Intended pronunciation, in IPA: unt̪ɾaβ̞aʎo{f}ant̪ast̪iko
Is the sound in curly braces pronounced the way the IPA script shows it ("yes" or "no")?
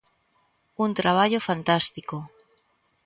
yes